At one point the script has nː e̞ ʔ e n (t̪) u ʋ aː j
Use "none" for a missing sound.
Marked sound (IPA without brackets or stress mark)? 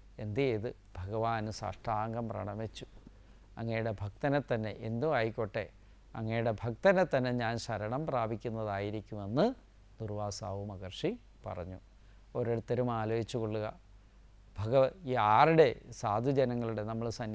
d̪